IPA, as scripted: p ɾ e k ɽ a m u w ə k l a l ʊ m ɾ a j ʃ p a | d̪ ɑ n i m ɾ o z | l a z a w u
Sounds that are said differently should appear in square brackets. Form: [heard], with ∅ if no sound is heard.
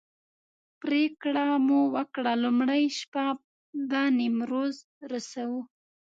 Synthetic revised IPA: p ɾ e k ɽ a m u w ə k [ɽ] a l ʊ m [ɽ] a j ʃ p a | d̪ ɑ n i m ɾ o z | [ɾ] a [s] a w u